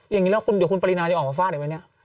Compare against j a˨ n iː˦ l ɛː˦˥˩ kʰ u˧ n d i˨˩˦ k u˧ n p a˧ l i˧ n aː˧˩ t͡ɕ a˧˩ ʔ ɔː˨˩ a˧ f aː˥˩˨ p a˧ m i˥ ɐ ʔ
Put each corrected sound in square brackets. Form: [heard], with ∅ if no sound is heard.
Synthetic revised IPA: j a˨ [ŋ] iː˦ l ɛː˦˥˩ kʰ u˧ n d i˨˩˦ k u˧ n p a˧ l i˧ n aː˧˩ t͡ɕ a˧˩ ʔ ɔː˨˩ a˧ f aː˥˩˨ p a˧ [n] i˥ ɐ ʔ